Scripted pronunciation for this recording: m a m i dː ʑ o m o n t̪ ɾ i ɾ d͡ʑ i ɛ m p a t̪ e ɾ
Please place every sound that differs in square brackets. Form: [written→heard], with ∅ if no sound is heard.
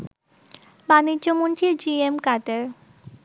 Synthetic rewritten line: [m→b] a [m→n] i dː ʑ o m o n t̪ ɾ i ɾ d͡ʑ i [ɛ→e] m [p→k] a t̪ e ɾ